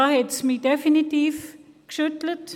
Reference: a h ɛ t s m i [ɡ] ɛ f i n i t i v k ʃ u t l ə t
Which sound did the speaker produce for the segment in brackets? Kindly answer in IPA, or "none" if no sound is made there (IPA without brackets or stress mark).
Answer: d